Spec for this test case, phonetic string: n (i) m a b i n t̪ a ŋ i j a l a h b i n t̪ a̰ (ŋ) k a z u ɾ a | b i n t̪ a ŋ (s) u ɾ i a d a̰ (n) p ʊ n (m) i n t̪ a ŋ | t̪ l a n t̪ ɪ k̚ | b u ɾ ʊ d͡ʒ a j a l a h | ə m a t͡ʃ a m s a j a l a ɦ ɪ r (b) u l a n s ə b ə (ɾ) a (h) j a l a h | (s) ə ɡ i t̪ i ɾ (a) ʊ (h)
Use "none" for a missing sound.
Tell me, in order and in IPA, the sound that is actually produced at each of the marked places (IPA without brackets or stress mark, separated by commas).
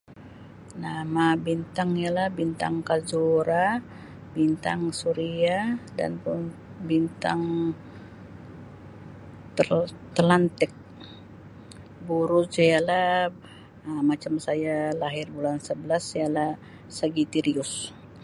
a, ŋ, s, n, b, b, l, s, s, i, s